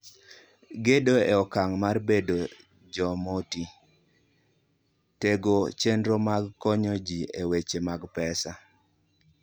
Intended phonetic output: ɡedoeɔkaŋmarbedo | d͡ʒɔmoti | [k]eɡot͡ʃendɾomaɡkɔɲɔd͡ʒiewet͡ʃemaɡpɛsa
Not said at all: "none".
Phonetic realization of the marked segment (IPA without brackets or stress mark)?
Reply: t